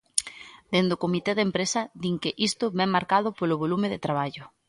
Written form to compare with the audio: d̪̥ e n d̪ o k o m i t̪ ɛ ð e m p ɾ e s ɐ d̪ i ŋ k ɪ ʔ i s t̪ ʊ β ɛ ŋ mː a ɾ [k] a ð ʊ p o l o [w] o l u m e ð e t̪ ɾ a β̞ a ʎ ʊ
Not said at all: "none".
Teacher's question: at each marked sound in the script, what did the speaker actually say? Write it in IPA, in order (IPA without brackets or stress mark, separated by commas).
k, β